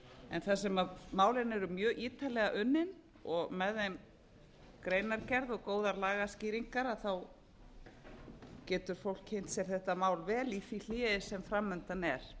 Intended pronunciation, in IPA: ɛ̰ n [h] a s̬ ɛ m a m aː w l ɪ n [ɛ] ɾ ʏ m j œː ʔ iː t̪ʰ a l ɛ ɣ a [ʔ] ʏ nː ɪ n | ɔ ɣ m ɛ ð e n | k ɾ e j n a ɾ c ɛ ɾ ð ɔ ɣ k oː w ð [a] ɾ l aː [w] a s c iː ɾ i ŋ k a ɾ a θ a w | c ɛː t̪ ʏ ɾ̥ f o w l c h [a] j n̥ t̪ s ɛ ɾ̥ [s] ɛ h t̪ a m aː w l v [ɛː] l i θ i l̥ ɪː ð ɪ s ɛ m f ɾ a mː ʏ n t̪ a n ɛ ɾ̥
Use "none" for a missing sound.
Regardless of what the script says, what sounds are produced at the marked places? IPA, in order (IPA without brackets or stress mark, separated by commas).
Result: θ, ɛ, ʔ, a, ɣ, e, θ, ɛː